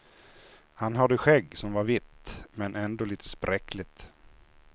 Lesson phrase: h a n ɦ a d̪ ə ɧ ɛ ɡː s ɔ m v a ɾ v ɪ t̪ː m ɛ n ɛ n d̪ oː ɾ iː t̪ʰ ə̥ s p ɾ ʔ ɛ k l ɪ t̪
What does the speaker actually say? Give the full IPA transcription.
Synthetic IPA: h a n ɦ a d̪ ə ɧ ɛ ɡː s ɔ m v a ɾ v ɪ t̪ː m ɛ n ɛ n d̪ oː l iː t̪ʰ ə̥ s p ɾ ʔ ɛ k l ɪ t̪